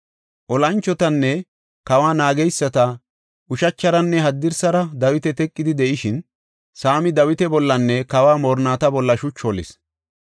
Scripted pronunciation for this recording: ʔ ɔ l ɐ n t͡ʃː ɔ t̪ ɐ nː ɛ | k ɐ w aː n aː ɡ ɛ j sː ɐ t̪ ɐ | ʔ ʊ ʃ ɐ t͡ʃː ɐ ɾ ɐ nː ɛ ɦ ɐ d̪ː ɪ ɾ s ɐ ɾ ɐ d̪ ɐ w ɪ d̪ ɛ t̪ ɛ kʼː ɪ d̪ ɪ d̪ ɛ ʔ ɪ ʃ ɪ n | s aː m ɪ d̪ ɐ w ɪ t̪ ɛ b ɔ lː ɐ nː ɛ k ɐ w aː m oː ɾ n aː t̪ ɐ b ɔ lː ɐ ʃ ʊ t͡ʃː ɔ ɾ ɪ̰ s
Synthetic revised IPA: ʔ ɔ l ɐ n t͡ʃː ɔ t̪ ɐ nː ɛ | k ɐ w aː n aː ɡ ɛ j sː ɐ t̪ ɐ | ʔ ʊ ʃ ɐ t͡ʃː ɐ ɾ ɐ nː ɛ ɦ ɐ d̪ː ɪ ɾ s ɐ ɾ ɐ d̪ ɐ w ɪ t̪ ɛ t̪ ɛ kʼː ɪ d̪ ɪ d̪ ɛ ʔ ɪ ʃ ɪ n | s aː m ɪ d̪ ɐ w ɪ t̪ ɛ b ɔ lː ɐ nː ɛ k ɐ w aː m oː ɾ n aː t̪ ɐ b ɔ lː ɐ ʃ ʊ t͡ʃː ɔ l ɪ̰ s